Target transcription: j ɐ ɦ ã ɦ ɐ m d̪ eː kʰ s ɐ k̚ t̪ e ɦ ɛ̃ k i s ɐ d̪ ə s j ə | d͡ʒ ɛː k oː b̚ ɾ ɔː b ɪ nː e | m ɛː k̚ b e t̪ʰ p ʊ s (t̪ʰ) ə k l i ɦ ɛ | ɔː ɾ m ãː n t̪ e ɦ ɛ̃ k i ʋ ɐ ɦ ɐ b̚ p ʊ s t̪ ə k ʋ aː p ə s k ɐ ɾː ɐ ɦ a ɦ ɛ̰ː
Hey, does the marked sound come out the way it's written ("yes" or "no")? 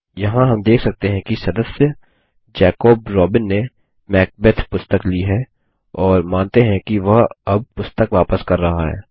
no